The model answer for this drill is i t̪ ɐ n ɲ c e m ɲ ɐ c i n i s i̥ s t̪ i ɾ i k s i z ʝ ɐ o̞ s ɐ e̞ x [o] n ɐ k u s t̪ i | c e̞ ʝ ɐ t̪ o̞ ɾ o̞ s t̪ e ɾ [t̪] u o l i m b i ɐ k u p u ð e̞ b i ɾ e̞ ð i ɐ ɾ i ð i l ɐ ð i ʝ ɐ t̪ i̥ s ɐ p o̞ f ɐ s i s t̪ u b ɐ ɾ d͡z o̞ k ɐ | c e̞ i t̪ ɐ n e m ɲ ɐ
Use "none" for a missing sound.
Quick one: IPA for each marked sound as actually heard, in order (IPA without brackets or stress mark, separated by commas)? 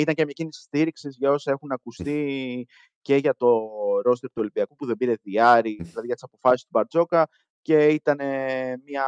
u, t̪